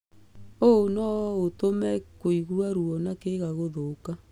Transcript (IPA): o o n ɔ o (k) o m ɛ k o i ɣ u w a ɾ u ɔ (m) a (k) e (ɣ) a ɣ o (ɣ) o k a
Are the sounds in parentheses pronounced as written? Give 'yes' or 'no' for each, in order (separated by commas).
no, no, yes, yes, no